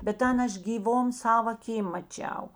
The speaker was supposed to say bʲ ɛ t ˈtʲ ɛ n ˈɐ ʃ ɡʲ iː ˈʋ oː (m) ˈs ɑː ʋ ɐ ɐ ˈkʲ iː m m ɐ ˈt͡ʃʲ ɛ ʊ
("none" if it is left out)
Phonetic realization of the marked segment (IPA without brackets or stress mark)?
m